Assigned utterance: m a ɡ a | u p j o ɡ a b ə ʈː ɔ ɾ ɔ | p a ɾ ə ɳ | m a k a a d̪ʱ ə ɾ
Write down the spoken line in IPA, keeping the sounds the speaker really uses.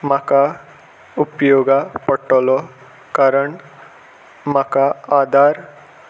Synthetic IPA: m a k a | u p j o ɡ a p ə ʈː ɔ l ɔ | k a ɾ ə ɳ | m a k a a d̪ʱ a ɾ